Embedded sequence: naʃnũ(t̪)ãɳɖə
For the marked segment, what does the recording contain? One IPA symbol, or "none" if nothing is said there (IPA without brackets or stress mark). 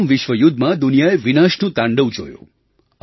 t̪